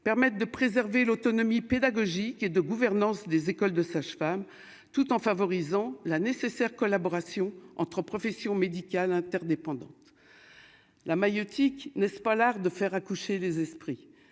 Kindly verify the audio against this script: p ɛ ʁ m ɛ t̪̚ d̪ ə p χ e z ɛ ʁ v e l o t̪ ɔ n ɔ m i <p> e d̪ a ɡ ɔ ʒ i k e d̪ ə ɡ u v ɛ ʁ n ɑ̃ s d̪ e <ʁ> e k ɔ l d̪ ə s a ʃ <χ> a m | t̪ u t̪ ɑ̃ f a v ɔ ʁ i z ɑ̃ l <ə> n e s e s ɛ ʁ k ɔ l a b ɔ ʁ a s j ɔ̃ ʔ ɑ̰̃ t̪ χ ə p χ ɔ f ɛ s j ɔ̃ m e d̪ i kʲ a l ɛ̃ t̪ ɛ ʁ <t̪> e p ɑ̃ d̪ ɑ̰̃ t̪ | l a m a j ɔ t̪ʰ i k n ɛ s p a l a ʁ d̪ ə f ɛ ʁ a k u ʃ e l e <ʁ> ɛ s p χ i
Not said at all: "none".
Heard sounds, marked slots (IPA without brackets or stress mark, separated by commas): p, z, f, a, d̪, z